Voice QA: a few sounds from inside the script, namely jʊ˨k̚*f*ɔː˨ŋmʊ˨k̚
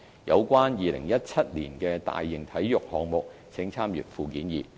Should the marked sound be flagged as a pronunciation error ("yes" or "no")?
yes